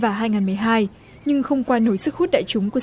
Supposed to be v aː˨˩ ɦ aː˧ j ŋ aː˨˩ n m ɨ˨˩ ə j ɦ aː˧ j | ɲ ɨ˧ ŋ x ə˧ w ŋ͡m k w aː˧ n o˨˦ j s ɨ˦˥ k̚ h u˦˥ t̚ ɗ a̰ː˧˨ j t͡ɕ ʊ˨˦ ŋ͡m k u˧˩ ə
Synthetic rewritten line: v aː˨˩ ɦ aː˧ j ŋ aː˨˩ n m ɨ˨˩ ə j ɦ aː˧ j | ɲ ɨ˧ ŋ x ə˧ w ŋ͡m k w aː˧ n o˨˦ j s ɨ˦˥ k̚ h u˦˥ t̚ ɗ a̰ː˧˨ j t͡ɕ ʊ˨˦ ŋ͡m k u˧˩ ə